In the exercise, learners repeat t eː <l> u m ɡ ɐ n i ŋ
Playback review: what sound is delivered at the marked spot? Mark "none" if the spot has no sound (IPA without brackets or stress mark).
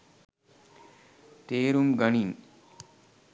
ɾ